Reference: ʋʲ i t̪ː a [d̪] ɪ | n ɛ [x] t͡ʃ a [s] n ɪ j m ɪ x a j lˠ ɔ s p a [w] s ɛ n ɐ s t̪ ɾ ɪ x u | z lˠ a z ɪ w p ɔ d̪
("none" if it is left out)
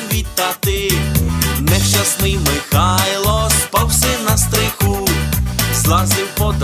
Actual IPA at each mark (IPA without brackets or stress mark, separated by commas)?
t̪, ʃ, s, w